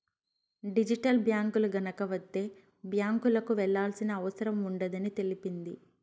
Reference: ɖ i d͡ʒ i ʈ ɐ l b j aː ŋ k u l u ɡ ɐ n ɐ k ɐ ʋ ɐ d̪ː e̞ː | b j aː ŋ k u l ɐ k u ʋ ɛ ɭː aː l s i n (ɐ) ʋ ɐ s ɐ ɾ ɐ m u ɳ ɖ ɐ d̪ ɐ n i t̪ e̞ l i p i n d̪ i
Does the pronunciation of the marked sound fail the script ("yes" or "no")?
yes